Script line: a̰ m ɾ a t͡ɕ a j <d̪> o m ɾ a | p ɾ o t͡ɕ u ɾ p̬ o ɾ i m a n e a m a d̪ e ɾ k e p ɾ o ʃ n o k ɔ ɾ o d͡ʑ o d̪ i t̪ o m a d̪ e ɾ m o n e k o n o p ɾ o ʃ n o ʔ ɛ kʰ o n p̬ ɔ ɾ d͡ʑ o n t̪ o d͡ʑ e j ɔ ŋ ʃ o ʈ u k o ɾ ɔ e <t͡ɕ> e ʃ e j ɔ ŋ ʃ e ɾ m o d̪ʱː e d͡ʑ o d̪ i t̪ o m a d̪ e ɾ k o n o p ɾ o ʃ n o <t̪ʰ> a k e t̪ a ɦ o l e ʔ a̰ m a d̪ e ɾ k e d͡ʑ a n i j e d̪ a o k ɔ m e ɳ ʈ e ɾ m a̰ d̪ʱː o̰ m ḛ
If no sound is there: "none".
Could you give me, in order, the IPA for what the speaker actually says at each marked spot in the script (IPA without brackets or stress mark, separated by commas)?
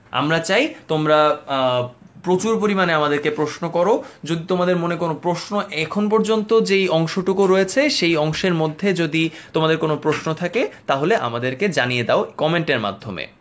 t̪, t͡ɕʰ, t̪ʰ